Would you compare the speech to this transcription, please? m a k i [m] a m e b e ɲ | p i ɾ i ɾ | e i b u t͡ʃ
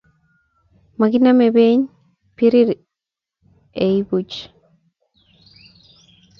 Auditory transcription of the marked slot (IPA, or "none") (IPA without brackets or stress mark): n